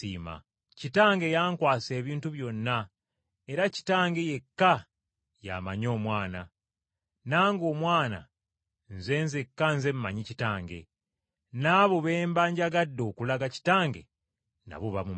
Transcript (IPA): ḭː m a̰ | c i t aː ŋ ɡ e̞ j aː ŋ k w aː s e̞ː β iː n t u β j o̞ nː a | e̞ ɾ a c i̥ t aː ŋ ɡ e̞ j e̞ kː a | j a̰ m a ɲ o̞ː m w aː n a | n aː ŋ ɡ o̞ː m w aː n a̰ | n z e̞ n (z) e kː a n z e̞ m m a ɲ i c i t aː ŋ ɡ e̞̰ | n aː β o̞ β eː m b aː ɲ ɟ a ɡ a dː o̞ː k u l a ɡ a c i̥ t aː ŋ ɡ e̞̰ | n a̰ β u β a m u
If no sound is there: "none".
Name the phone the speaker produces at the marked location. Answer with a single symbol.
z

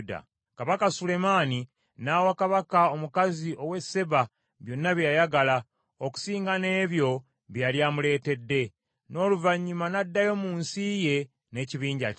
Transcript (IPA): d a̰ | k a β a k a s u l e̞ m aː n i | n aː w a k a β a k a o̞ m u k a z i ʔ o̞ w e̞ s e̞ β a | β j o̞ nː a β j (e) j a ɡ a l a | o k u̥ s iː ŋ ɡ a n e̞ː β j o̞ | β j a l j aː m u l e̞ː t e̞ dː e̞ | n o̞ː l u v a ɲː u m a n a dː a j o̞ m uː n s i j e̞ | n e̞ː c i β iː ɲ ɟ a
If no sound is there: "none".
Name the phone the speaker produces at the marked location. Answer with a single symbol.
a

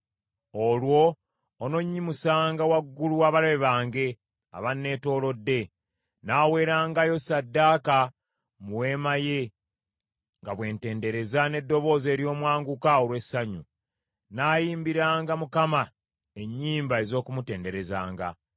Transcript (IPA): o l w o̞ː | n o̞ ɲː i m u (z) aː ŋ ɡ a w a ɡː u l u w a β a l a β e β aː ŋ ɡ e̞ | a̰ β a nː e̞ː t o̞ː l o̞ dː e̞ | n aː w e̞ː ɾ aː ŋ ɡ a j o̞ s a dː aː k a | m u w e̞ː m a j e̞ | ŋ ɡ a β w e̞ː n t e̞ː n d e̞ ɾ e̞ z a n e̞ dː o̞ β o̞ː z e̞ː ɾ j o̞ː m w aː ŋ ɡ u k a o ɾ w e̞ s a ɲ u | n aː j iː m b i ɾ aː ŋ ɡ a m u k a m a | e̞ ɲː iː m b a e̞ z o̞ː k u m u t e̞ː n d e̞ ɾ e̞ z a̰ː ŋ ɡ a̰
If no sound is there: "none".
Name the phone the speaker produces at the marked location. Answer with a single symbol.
s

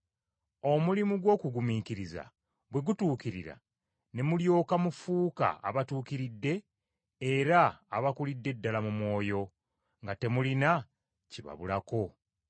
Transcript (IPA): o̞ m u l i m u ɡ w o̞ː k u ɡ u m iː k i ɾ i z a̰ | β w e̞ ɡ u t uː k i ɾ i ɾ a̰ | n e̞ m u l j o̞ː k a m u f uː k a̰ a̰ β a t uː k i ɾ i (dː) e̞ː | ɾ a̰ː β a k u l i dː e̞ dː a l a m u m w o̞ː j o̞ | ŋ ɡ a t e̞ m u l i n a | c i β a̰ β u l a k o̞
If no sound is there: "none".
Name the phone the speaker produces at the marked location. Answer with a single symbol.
dː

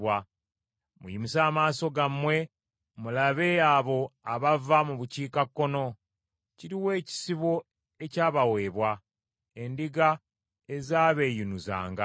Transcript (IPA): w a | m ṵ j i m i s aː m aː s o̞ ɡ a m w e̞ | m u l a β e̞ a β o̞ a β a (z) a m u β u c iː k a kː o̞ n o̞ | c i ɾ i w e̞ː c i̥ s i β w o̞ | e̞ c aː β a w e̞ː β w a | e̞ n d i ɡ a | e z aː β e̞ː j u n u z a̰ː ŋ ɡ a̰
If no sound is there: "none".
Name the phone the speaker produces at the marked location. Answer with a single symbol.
v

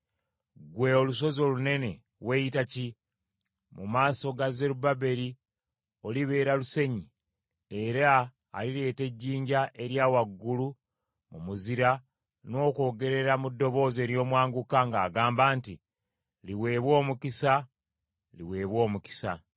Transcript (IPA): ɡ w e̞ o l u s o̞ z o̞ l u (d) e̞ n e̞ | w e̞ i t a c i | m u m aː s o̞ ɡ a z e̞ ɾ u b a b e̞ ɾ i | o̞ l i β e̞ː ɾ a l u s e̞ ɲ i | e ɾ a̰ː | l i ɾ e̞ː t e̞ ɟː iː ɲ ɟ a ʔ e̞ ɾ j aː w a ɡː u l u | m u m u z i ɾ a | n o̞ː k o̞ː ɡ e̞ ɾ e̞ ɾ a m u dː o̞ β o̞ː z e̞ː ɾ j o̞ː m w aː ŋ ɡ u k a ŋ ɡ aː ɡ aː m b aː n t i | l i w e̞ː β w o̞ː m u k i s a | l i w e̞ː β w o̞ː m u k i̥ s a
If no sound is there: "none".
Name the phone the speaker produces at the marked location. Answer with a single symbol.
n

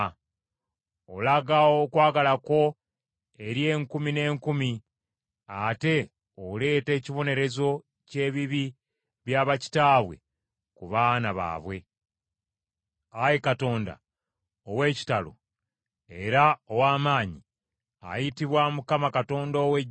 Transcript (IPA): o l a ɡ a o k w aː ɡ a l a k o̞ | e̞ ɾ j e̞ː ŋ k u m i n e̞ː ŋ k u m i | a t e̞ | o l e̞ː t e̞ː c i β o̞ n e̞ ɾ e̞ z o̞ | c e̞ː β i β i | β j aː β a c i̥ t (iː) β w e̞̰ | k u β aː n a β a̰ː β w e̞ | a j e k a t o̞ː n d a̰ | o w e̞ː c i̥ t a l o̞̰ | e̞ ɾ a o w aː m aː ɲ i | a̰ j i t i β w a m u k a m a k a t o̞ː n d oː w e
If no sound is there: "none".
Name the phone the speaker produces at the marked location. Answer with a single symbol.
aː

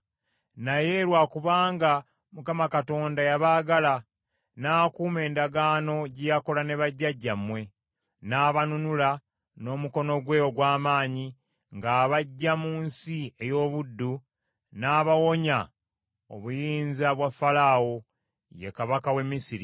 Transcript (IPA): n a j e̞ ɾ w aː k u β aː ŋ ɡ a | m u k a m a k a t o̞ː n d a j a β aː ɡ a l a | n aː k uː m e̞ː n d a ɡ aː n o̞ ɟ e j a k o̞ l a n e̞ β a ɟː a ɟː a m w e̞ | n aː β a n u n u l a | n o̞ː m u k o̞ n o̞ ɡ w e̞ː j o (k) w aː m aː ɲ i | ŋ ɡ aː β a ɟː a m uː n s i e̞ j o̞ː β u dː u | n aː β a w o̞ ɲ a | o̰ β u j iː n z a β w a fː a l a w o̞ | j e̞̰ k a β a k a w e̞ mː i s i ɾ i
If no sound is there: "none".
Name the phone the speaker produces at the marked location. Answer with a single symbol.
ɡ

